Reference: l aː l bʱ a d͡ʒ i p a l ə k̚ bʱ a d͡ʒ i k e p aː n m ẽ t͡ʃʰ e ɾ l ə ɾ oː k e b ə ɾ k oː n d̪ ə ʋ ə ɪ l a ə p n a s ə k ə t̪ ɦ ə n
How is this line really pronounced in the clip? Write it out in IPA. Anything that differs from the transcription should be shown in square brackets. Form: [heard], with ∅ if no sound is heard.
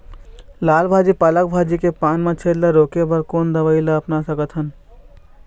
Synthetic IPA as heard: l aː l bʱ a d͡ʒ i p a l ə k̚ bʱ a d͡ʒ i k e p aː n m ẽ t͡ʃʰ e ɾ l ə ɾ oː k e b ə ɾ k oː n d̪ ə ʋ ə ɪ l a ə p n a s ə k ə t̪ ɦ ə n